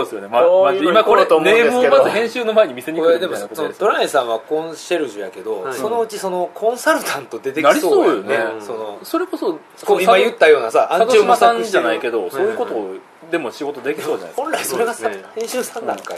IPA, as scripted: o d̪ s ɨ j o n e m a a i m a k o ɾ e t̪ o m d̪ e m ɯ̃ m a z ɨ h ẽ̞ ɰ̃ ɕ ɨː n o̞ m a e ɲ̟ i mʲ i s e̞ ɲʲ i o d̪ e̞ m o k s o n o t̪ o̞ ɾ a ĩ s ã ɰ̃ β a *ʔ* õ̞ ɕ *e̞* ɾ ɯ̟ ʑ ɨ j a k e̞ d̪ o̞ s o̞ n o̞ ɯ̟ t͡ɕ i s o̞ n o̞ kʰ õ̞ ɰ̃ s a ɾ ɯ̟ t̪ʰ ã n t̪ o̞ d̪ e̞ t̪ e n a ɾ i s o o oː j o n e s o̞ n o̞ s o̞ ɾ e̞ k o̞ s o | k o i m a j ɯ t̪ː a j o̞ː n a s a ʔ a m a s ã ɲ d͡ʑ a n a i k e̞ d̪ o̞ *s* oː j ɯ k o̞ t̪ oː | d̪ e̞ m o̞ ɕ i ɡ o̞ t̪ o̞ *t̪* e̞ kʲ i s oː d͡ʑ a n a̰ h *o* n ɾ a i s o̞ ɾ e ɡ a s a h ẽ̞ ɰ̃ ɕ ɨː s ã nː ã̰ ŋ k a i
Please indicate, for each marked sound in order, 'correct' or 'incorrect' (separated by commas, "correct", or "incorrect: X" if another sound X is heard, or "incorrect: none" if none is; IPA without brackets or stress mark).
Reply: incorrect: k, correct, correct, incorrect: d̪, incorrect: õ